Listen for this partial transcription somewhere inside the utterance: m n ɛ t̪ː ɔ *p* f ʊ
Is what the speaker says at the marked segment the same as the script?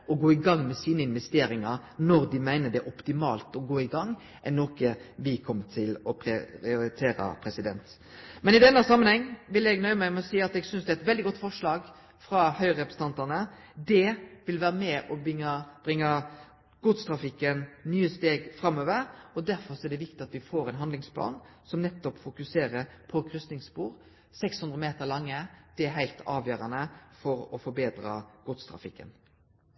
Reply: yes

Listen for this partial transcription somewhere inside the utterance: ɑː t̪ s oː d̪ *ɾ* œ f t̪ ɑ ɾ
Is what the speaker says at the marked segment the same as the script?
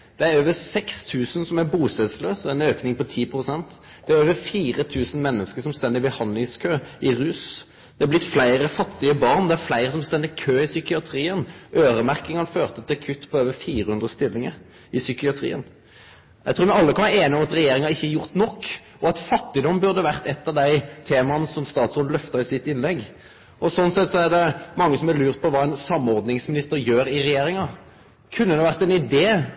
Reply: no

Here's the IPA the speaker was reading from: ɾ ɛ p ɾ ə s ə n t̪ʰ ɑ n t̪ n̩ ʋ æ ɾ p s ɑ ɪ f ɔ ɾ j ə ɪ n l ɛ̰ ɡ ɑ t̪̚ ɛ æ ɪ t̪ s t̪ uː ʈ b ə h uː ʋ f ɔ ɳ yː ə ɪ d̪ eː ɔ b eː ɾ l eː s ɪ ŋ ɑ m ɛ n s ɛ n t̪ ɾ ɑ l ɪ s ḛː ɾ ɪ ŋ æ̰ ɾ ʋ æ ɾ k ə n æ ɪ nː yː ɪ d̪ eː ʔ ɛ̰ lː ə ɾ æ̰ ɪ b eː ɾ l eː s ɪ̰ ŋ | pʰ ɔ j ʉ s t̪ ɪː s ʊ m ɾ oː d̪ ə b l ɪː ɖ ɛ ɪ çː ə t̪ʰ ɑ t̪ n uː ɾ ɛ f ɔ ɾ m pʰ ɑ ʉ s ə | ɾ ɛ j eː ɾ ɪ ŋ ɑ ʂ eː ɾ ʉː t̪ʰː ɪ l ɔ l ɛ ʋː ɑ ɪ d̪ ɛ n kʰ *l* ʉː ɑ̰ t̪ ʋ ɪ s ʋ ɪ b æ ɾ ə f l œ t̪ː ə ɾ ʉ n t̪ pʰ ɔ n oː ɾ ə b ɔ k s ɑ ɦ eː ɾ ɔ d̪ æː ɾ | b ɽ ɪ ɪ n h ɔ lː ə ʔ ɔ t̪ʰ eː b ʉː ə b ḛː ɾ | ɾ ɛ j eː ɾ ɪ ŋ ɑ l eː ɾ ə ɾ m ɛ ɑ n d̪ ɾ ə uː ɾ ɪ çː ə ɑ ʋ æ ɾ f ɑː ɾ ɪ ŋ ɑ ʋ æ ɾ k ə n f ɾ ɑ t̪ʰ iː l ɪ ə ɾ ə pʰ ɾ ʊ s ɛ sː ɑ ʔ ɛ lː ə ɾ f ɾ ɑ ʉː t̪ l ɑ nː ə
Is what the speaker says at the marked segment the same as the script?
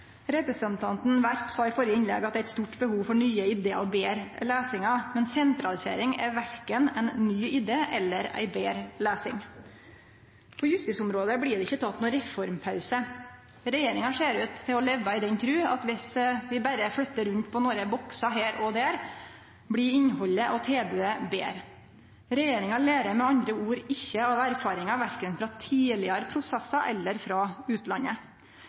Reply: no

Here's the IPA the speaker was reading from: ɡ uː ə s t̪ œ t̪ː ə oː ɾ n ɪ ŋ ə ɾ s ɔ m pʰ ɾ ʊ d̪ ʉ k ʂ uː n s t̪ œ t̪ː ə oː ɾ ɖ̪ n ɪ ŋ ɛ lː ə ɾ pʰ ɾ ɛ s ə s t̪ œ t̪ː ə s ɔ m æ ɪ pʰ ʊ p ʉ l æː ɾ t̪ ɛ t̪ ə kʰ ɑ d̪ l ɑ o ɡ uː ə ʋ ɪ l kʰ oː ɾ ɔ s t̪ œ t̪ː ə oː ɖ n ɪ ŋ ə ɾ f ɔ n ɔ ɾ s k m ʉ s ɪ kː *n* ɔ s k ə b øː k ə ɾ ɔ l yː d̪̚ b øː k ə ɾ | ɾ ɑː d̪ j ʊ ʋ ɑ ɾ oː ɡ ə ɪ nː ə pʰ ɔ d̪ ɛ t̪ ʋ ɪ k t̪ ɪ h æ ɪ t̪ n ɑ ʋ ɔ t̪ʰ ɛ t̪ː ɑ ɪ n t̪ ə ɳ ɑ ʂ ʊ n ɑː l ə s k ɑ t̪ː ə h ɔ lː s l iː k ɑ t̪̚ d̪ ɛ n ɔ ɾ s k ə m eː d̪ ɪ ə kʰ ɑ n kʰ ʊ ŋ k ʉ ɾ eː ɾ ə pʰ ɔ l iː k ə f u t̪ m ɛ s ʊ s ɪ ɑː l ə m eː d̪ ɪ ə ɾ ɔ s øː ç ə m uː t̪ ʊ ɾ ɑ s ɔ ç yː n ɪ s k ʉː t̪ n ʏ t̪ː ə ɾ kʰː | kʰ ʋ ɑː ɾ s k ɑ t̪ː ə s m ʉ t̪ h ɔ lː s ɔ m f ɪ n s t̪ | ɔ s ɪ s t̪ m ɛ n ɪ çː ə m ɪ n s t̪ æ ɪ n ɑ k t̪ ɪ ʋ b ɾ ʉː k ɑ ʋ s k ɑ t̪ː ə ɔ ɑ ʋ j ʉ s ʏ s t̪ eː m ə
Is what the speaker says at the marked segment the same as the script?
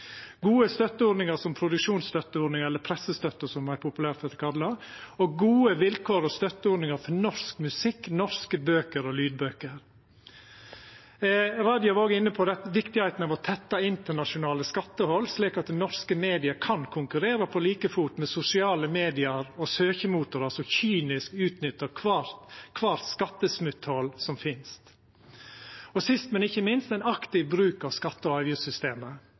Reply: yes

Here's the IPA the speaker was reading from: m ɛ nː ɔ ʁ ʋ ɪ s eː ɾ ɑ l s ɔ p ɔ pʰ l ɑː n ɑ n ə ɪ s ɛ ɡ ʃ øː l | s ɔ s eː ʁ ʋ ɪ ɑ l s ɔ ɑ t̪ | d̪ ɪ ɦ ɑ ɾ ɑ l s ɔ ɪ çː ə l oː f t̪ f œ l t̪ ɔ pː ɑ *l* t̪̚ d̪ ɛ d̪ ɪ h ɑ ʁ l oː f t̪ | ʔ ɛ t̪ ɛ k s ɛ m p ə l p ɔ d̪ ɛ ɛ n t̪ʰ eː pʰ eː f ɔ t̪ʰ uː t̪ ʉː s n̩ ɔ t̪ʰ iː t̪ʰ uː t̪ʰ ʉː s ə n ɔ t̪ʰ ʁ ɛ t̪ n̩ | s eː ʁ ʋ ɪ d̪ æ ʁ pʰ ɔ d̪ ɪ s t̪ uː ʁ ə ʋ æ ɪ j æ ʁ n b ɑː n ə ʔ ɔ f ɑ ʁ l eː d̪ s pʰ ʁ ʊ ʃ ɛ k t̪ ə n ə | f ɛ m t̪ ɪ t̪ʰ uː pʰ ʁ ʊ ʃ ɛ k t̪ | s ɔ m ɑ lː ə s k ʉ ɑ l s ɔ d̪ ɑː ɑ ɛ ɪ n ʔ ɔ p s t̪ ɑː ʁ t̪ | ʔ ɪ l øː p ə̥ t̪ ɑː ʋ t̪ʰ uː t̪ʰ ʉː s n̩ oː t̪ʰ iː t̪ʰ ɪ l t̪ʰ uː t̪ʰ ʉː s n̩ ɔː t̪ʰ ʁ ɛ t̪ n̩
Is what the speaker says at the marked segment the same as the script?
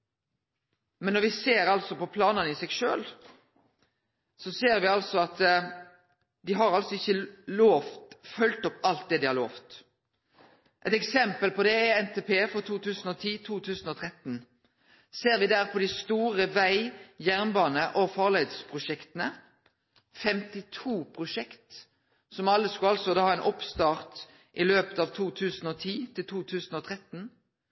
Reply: yes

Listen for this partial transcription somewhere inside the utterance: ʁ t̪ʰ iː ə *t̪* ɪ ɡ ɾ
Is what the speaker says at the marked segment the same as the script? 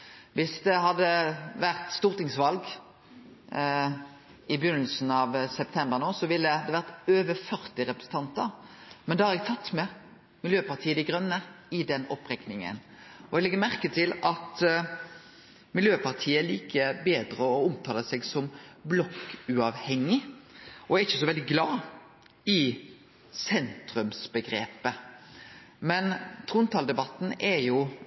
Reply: no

